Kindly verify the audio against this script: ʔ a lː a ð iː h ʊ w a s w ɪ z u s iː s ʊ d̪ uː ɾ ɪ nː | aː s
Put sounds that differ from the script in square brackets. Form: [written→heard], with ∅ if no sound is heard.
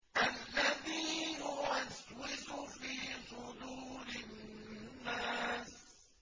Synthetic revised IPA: ʔ a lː a ð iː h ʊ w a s w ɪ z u [s→f] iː s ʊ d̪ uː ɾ ɪ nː | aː s

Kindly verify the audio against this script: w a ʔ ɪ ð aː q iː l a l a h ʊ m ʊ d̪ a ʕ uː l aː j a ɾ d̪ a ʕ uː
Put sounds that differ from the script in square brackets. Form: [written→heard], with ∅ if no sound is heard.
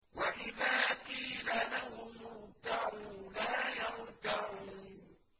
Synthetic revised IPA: w a ʔ ɪ ð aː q iː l a l a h ʊ m ʊ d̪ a ʕ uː l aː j a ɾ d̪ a ʕ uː

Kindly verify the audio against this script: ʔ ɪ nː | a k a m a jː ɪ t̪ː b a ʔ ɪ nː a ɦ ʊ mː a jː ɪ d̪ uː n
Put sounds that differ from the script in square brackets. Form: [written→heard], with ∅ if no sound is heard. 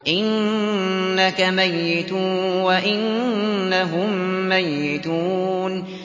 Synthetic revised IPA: ʔ ɪ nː | a k a m a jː ɪ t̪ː [b→w] a ʔ ɪ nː a ɦ ʊ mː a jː ɪ [d̪→t̪] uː n

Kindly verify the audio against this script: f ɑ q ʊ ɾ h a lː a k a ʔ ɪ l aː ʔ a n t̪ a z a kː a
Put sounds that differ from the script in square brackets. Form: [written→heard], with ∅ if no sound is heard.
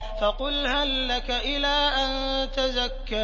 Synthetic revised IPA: f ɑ q ʊ [ɾ→l] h a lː a k a ʔ ɪ l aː ʔ a n t̪ a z a kː a

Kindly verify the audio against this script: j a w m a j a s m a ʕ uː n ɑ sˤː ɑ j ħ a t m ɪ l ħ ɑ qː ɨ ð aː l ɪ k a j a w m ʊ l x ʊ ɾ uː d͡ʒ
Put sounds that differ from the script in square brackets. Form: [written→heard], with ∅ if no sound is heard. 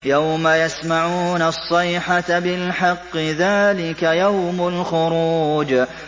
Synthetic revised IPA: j a w m a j a s m a ʕ uː n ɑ sˤː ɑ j ħ a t [m→b] ɪ l ħ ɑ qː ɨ ð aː l ɪ k a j a w m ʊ l x ʊ ɾ uː d͡ʒ

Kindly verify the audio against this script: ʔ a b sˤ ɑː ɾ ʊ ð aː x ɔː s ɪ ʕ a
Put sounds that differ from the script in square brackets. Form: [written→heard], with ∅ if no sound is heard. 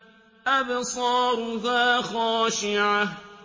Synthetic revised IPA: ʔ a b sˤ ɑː ɾ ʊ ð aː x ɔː [s→ʃ] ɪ ʕ a

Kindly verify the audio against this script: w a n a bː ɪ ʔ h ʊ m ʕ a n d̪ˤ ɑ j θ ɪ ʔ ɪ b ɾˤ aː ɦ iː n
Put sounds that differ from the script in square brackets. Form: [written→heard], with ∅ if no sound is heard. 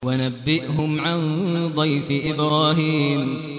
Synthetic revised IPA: w a n a bː ɪ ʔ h ʊ m ʕ a n d̪ˤ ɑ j [θ→f] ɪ ʔ ɪ b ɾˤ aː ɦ iː [n→m]

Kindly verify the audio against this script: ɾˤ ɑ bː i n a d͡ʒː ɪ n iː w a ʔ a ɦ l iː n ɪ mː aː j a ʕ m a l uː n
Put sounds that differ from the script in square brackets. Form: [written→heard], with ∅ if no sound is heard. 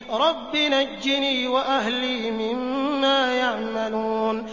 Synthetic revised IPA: ɾˤ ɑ bː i n a d͡ʒː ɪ n iː w a ʔ a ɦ l iː [n→m] ɪ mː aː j a ʕ m a l uː n

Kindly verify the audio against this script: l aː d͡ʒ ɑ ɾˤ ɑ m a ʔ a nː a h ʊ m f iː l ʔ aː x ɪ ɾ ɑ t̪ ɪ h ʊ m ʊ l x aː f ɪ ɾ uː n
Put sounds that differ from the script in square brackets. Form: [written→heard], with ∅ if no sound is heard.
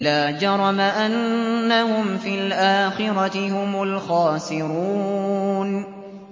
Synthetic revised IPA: l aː d͡ʒ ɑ ɾˤ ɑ m a ʔ a nː a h ʊ m f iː l ʔ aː x ɪ ɾ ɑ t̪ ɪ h ʊ m ʊ l x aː [f→s] ɪ ɾ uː n

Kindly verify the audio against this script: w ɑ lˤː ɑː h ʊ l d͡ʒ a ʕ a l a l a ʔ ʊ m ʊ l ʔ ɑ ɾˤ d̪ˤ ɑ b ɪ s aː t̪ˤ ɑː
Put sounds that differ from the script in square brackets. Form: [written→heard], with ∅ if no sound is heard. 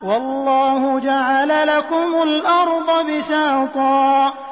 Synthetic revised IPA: w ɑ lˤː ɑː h ʊ [l→∅] d͡ʒ a ʕ a l a l a [ʔ→k] ʊ m ʊ l ʔ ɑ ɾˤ d̪ˤ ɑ b ɪ s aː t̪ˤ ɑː

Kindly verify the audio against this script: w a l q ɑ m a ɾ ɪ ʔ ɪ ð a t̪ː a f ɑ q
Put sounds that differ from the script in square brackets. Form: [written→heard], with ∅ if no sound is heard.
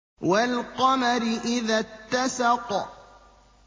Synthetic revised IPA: w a l q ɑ m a ɾ ɪ ʔ ɪ ð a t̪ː a [f→s] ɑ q

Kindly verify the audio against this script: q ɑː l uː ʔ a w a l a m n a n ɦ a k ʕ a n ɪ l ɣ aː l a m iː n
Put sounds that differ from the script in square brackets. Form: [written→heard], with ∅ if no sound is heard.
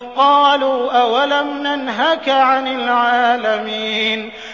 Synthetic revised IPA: q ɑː l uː ʔ a w a l a m n a n ɦ a k ʕ a n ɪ l [ɣ→ʕ] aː l a m iː n

